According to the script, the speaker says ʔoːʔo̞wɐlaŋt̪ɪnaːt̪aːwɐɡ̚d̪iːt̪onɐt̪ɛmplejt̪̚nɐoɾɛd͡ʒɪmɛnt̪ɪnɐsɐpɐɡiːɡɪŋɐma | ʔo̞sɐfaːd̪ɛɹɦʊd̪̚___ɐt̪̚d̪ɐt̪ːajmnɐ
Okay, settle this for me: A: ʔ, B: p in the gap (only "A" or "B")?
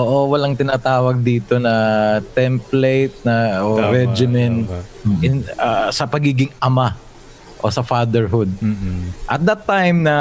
A